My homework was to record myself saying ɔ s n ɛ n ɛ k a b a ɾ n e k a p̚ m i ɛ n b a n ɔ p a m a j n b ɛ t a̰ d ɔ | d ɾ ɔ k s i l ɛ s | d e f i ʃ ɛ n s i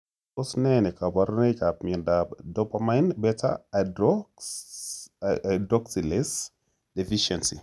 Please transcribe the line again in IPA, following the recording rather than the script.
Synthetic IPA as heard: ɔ s n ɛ n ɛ k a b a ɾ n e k a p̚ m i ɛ n d a d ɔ p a m a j n b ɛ t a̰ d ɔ | d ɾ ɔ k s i l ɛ s | d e f i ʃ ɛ n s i